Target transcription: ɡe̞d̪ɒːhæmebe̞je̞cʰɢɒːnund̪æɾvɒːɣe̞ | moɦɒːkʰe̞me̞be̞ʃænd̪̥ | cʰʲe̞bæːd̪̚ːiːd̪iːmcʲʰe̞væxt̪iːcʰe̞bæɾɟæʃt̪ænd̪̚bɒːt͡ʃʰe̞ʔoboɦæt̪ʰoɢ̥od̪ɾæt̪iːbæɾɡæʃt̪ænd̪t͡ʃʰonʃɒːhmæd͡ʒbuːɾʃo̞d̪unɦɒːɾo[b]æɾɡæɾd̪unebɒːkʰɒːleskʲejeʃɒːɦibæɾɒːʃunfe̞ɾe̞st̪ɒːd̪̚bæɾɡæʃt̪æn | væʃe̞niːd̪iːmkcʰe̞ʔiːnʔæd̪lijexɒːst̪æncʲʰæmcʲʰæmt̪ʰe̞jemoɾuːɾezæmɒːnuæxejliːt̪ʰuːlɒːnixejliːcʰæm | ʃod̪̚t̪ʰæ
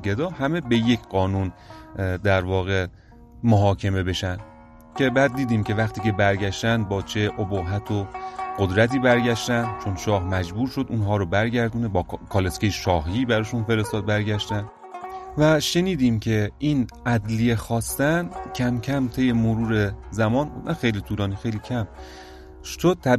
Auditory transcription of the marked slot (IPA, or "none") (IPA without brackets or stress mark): b